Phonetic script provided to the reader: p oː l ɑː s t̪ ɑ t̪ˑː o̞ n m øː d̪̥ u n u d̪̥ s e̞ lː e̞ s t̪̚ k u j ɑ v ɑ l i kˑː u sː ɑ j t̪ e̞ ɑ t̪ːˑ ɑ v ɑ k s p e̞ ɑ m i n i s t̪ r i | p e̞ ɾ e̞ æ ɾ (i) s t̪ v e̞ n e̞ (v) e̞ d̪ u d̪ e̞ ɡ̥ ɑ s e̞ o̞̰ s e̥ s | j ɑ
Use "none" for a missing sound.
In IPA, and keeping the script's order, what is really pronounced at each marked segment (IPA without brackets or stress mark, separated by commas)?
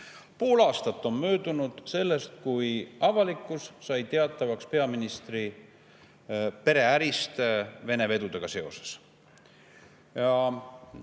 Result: i, v